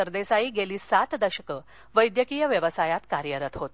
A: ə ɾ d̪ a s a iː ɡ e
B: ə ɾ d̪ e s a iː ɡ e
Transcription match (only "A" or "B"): B